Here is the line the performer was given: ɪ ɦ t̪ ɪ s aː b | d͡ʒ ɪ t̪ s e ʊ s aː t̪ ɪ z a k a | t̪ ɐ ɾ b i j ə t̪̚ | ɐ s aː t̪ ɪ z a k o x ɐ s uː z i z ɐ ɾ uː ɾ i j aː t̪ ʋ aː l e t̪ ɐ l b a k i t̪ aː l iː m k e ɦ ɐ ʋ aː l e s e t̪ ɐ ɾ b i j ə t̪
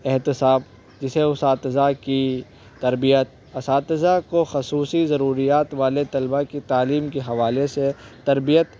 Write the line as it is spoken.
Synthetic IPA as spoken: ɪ ɦ t̪ ɪ s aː b | d͡ʒ ɪ s e ʊ s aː t̪ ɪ z a k i | t̪ ɐ ɾ b i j ə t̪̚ | ɐ s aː t̪ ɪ z a k o x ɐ s uː s i z ɐ ɾ uː ɾ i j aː t̪ ʋ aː l e t̪ ɐ l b a k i t̪ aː l iː m k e ɦ ɐ ʋ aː l e s e t̪ ɐ ɾ b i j ə t̪